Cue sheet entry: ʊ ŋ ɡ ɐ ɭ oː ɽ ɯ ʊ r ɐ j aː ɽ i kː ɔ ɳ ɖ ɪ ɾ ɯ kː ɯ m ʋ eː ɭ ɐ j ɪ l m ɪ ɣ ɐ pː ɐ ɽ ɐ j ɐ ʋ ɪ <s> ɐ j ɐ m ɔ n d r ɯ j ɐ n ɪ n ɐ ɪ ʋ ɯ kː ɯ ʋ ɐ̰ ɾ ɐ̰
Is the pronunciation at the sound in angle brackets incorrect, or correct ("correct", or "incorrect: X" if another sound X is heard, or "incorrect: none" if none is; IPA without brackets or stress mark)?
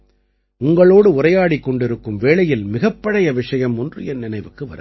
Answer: incorrect: ʂ